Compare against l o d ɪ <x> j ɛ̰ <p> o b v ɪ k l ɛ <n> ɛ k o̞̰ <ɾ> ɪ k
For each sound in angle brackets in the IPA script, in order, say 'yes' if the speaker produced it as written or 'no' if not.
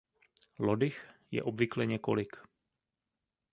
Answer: yes, no, no, no

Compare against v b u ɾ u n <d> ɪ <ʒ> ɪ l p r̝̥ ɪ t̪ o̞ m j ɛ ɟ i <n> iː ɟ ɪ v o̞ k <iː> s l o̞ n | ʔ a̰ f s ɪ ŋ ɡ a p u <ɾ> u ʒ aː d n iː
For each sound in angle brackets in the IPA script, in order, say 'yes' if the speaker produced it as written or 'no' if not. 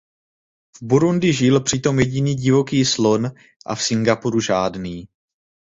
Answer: yes, yes, yes, yes, yes

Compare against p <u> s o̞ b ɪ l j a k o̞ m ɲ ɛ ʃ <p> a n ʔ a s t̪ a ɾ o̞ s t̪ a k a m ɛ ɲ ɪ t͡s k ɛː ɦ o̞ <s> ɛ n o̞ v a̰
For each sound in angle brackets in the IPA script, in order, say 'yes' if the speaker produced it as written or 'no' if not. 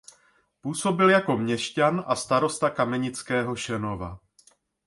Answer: no, no, no

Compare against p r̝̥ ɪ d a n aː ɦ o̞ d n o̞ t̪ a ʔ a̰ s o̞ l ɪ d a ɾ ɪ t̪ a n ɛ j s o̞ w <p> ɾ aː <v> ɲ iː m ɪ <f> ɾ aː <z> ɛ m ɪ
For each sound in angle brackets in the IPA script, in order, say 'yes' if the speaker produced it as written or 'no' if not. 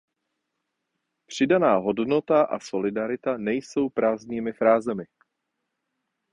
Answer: yes, no, yes, yes

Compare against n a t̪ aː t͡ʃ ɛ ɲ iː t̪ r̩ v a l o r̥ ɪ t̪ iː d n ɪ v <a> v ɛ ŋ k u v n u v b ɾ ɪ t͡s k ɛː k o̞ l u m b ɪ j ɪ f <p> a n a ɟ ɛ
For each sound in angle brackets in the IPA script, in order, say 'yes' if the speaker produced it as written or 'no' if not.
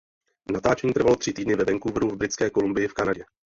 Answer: no, no

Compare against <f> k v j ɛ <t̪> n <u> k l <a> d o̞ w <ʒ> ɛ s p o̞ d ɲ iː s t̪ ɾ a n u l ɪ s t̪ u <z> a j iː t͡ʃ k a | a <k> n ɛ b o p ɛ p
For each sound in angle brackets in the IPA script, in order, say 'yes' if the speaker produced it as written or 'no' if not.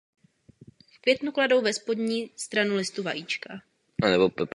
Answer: yes, yes, yes, yes, no, no, no

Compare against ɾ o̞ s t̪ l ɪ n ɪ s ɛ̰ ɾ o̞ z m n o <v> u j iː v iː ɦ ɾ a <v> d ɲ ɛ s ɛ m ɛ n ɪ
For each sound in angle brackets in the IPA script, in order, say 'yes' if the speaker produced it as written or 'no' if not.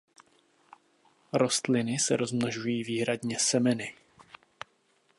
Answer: no, no

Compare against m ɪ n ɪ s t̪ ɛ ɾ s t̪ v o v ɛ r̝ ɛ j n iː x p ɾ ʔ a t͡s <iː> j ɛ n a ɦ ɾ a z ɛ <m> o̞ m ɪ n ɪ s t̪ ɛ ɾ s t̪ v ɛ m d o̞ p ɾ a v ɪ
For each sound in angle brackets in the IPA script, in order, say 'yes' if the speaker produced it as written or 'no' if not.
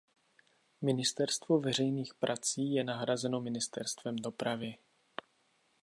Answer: yes, no

